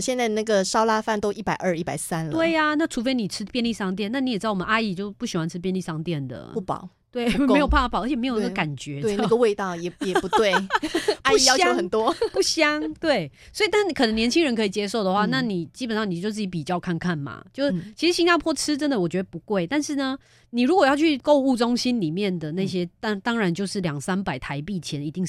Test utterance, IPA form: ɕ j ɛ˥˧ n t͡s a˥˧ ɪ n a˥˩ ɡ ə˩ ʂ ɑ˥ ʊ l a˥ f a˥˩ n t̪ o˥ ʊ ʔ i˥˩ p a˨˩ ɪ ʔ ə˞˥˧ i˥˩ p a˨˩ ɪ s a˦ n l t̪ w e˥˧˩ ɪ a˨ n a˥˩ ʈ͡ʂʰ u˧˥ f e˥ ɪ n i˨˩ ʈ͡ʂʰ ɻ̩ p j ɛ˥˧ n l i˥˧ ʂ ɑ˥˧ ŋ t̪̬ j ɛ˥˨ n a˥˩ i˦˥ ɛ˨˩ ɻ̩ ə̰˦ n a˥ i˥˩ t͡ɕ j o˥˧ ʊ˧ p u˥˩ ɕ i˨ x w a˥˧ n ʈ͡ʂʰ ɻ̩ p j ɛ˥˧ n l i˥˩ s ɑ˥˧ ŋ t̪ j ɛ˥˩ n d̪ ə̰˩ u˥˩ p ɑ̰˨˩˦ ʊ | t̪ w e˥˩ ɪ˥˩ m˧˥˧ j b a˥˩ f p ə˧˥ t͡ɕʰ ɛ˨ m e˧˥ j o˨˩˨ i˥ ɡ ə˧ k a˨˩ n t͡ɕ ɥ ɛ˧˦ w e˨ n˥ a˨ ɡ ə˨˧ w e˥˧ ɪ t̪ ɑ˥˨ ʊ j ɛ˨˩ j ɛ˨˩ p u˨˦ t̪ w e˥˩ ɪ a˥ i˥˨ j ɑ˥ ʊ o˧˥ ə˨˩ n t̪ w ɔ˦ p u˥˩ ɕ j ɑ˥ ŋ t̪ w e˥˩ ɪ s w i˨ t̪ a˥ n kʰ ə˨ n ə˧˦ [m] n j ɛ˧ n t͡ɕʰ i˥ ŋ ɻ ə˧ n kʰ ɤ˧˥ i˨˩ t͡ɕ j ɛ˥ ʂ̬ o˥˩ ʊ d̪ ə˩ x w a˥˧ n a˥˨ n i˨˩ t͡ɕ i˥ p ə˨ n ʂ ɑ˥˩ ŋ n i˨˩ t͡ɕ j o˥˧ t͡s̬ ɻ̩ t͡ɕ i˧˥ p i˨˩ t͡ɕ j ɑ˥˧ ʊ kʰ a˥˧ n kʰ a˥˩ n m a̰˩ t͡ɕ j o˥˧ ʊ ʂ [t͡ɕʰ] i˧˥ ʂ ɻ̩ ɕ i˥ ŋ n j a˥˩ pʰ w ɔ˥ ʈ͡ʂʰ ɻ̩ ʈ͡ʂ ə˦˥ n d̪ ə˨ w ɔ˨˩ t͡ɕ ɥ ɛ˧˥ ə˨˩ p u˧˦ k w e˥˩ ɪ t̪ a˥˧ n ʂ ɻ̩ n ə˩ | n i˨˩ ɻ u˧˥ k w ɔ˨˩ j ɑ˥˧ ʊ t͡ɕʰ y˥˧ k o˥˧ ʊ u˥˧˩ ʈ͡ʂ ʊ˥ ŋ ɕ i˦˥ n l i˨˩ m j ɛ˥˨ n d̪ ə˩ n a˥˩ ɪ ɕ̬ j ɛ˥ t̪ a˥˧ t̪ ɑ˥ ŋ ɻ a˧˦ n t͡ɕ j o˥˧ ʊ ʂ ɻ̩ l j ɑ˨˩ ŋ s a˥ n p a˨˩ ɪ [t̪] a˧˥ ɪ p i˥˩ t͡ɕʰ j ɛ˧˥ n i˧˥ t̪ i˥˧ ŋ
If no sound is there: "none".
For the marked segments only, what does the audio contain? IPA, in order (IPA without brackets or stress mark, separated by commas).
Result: ŋ, t͡ɕʰ, t̪ʰ